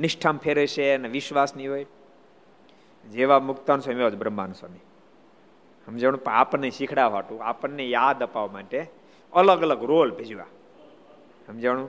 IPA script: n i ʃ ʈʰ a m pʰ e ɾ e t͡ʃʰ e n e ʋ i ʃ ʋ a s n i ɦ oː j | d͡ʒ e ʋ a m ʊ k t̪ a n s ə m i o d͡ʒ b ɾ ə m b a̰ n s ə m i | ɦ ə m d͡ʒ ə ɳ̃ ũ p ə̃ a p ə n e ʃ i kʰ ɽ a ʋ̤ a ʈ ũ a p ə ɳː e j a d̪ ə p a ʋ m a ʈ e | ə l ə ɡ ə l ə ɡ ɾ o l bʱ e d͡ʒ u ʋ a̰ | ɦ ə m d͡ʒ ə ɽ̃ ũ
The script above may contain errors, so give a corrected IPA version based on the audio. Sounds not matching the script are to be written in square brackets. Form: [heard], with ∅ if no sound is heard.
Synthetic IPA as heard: n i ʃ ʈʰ a m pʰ e ɾ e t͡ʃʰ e n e ʋ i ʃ ʋ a s n i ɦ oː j | d͡ʒ e ʋ a m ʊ k t̪ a n s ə m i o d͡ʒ b ɾ ə m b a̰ n s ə m i | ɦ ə m d͡ʒ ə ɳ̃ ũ p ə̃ a p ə n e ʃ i kʰ ɽ a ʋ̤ a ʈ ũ a p ə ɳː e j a d̪ ə p a ʋ m a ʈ e | ə l ə ɡ ə l ə ɡ ɾ o l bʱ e d͡ʒ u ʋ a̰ | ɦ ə m d͡ʒ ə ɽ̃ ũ